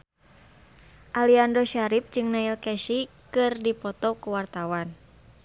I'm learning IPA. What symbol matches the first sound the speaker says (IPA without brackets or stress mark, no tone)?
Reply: ʔ